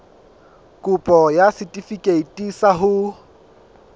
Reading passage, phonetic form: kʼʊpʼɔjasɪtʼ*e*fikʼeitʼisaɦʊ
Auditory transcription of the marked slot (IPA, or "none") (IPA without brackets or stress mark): i